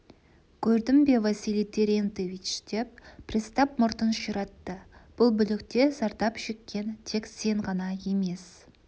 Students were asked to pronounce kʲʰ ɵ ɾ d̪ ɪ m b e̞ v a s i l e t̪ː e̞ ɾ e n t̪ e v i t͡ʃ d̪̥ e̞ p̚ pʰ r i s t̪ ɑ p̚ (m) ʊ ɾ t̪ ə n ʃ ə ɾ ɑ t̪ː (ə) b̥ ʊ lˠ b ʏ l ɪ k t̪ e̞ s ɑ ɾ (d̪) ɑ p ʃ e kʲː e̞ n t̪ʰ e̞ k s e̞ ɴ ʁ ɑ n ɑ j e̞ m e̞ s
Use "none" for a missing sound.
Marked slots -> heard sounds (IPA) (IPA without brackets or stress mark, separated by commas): m, ə, t̪